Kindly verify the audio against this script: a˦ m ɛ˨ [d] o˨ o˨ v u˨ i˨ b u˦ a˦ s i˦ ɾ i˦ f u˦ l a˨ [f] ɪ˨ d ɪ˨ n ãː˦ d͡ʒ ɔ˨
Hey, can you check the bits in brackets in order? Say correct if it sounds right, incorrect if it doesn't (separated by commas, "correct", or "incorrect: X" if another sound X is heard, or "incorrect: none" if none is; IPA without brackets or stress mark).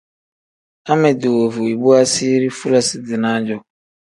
correct, incorrect: s